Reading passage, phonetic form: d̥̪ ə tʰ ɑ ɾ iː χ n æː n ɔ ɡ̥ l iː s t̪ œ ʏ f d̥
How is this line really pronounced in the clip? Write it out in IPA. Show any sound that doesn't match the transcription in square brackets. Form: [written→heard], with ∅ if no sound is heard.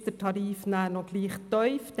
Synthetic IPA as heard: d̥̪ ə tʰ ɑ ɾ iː [χ→f] n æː n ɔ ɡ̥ l iː [s→χ] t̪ œ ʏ f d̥

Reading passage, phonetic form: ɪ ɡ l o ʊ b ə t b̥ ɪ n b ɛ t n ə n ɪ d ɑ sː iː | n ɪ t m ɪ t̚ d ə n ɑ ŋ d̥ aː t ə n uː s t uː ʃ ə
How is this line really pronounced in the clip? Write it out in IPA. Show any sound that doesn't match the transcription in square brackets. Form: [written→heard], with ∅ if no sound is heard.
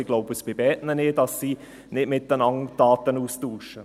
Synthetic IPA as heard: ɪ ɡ l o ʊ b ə [t→s] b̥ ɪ [n→∅] b ɛ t n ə n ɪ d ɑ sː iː | n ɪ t m ɪ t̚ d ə n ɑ ŋ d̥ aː t ə n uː s t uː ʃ ə

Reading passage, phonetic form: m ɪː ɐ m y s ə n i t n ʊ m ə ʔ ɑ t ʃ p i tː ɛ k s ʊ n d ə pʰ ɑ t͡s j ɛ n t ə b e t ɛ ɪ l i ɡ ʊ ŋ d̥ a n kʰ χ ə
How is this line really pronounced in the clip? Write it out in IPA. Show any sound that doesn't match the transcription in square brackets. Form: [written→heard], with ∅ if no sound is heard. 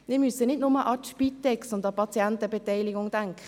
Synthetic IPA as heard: m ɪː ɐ m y s ə n [i→ɪ] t n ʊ m ə ʔ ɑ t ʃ p i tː ɛ k s ʊ n d [ə→ɑ] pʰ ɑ t͡s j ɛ n t ə b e t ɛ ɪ l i ɡ ʊ ŋ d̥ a [n→ŋ] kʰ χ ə

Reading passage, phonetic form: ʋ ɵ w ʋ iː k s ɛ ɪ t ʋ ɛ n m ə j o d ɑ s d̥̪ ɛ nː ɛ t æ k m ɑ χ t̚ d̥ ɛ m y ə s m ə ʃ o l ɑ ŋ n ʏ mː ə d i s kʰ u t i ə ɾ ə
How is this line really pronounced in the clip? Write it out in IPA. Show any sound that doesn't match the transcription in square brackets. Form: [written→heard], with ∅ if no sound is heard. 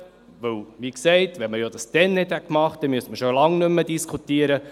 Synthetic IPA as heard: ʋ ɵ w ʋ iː k s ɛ ɪ t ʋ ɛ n m ə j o d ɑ s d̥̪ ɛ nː ɛ t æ k m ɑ χ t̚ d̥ ɛ m y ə s m ə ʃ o l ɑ ŋ n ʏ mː ə d i s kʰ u t i ə ɾ ə

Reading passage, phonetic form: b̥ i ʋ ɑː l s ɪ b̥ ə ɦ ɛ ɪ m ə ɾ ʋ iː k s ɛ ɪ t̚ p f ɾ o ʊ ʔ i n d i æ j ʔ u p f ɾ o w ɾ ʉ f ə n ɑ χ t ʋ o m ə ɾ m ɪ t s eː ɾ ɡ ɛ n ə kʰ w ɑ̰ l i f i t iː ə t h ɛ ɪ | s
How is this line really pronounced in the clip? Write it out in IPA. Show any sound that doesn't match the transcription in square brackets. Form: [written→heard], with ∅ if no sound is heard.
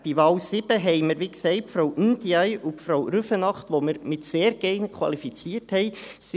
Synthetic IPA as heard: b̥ i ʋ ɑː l s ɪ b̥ ə ɦ ɛ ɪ m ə ɾ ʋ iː k s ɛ ɪ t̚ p f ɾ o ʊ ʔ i n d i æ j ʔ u p f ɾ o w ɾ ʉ f ə n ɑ χ t ʋ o m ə ɾ m ɪ t s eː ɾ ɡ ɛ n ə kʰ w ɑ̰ l i f i [t→t͡s] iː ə t h ɛ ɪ | s

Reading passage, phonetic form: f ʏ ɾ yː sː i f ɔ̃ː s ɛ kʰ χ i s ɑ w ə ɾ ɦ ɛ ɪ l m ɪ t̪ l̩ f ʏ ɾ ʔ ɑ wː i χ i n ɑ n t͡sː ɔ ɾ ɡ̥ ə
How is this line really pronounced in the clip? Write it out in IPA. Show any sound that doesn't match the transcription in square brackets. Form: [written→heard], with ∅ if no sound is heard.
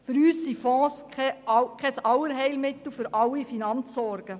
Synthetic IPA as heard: f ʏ ɾ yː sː i f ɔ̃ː s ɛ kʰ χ [i→ɛ] s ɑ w ə ɾ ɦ ɛ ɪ l m ɪ t̪ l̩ f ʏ ɾ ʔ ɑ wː i [χ→f] i n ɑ n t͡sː ɔ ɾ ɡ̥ ə

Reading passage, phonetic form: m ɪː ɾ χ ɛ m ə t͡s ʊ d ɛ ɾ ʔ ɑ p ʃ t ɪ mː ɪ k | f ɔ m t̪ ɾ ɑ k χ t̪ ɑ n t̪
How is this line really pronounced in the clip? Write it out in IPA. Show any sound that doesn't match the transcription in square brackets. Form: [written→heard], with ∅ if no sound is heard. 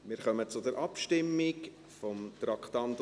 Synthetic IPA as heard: m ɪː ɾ χ [ɛ→œ] m ə t͡s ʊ d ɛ ɾ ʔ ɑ p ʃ t ɪ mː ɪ k | f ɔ m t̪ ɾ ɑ k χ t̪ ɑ n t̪

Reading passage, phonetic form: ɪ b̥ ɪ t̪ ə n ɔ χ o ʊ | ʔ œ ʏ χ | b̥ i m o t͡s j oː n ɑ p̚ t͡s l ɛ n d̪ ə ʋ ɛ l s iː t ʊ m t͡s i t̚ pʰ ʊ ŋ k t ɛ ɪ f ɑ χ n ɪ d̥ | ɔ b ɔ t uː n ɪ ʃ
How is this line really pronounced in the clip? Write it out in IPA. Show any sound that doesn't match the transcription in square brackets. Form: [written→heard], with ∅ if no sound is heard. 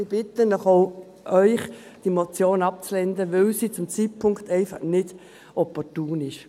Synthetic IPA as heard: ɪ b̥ ɪ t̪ ə n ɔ χ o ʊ | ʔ œ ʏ χ | [b̥→d̥] i m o t͡s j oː n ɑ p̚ t͡s l ɛ n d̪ ə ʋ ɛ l s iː [t→t͡s] ʊ m t͡s i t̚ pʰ ʊ ŋ k t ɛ ɪ f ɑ χ n ɪ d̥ | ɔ [b→p] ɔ t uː n ɪ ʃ

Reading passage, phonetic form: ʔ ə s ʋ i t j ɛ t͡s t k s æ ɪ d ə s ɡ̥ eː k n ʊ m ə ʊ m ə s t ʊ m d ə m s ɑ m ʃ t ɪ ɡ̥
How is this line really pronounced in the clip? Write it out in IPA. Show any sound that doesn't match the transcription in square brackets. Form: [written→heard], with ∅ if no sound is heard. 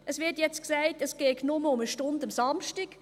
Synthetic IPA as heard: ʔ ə s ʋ [i→ɪ] t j ɛ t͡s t k s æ ɪ [d→t] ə s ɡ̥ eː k n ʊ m ə ʊ m ə [s→ʃ] t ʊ [m→n] d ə m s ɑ m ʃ t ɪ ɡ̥

